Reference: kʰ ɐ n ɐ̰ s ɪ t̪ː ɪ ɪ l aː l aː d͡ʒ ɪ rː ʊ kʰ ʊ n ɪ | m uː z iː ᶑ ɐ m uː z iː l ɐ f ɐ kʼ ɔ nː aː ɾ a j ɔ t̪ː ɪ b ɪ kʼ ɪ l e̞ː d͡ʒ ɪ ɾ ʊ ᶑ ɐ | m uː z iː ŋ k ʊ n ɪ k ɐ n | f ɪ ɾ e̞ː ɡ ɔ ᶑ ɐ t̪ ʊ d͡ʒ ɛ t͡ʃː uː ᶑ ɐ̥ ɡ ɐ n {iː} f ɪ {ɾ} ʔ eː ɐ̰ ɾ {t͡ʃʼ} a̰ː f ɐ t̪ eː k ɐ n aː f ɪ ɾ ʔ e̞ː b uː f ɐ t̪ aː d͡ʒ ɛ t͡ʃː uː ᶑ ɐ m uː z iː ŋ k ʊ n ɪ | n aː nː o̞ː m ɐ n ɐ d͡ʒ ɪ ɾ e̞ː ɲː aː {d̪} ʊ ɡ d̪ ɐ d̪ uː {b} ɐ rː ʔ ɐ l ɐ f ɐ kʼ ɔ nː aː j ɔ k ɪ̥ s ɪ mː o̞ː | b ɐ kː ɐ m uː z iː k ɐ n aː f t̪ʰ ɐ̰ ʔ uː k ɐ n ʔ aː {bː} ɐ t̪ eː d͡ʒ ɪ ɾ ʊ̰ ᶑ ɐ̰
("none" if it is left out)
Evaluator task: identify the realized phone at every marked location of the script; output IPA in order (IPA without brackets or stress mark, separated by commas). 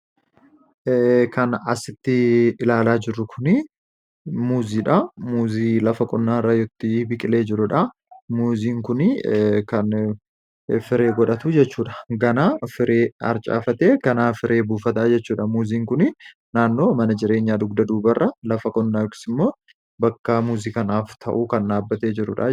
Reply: aː, ɾ, t͡ʃʼ, d̪, b, bː